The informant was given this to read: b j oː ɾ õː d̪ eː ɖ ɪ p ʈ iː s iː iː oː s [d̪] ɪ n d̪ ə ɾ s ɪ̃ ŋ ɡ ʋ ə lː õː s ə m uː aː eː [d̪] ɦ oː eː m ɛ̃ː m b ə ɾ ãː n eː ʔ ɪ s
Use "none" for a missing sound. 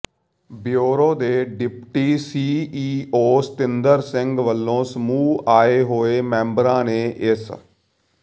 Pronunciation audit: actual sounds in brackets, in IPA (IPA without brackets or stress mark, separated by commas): t̪, none